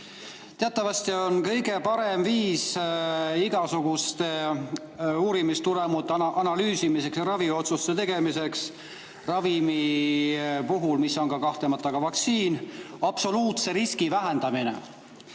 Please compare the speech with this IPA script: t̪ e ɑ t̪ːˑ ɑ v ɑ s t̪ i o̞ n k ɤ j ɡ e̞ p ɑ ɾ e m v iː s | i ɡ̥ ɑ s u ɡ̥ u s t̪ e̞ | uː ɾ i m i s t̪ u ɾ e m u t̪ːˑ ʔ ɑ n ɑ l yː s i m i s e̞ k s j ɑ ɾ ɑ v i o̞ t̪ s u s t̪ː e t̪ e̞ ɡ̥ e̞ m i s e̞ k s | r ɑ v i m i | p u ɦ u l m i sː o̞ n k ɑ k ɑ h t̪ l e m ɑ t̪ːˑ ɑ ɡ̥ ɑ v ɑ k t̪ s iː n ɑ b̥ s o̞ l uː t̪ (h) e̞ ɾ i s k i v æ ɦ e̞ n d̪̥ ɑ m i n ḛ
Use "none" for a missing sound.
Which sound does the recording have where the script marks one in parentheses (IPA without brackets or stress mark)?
s